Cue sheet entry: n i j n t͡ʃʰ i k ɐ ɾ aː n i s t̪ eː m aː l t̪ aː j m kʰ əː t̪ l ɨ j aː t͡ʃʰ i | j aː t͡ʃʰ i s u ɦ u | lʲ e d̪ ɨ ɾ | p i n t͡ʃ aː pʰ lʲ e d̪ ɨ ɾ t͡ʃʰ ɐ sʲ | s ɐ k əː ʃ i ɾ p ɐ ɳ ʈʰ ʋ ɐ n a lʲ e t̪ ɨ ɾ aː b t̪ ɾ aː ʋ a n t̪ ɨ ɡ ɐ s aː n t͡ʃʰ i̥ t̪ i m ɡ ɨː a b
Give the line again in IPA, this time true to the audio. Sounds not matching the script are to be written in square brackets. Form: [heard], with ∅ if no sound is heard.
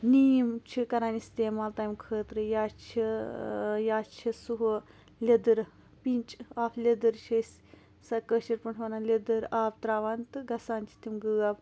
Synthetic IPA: n i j [m] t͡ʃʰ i k ɐ ɾ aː n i s t̪ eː m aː l t̪ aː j m kʰ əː t̪ [ɾ] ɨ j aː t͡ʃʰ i | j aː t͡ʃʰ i s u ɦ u | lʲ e d̪ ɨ ɾ | p i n t͡ʃ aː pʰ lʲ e d̪ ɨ ɾ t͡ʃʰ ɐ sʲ | s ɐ k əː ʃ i ɾ p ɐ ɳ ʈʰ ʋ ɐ n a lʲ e [d̪] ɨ ɾ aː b t̪ ɾ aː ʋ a n t̪ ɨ ɡ ɐ s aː n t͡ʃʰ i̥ t̪ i m ɡ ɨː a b